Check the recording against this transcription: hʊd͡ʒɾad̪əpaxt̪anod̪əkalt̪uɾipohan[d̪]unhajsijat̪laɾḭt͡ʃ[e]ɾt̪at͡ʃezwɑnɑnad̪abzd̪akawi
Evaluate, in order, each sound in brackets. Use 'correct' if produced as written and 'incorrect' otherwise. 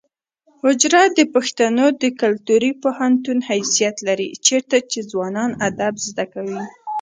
incorrect: t̪, correct

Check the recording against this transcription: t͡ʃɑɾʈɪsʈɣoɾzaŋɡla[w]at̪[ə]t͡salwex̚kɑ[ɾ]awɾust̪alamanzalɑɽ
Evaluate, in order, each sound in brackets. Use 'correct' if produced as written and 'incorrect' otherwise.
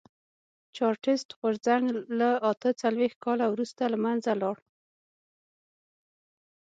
incorrect: none, correct, incorrect: l

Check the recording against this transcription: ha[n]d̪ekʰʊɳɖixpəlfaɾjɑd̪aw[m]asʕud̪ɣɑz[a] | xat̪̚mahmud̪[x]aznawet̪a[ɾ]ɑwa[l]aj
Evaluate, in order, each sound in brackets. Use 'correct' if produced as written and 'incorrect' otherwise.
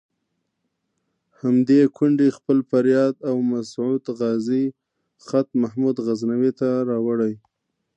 incorrect: m, correct, incorrect: i, incorrect: ɣ, correct, incorrect: ɽ

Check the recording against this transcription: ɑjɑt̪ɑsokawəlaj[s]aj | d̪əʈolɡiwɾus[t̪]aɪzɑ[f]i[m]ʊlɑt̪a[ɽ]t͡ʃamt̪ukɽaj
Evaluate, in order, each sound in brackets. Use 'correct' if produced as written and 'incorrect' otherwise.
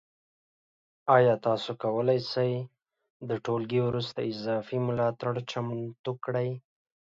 correct, correct, correct, correct, correct

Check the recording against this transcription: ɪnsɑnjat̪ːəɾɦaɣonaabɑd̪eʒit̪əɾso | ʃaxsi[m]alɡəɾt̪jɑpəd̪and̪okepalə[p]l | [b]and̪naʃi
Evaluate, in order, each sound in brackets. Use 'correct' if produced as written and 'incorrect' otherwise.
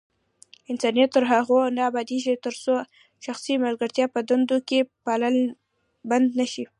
correct, incorrect: none, correct

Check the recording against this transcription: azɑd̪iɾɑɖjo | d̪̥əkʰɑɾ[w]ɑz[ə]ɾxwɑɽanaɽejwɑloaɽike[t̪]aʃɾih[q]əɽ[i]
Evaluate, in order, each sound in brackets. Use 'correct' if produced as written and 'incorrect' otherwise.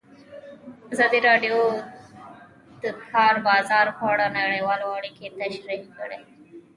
incorrect: b, incorrect: ɑ, correct, incorrect: k, incorrect: e

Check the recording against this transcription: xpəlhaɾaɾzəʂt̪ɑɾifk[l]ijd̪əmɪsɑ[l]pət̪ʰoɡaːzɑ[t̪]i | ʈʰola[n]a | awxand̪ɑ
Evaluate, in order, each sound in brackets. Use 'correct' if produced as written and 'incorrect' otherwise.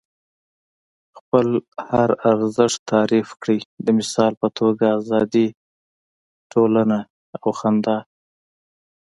incorrect: ɽ, correct, incorrect: d̪, correct

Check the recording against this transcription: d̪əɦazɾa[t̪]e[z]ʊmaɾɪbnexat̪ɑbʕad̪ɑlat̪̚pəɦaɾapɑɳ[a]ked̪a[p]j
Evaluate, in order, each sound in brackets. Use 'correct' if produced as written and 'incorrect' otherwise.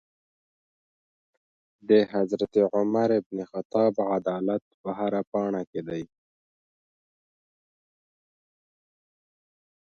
correct, incorrect: ʕ, correct, incorrect: none

